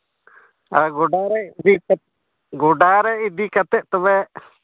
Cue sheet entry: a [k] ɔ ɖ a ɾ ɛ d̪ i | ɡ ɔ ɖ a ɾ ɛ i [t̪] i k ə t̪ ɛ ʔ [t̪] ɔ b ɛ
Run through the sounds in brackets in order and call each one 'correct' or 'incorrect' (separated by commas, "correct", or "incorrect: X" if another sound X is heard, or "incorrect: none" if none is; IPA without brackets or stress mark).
incorrect: ɡ, incorrect: d̪, correct